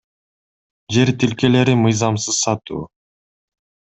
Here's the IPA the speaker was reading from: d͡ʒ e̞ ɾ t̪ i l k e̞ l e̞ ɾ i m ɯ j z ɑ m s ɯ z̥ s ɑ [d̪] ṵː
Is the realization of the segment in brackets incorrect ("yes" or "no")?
yes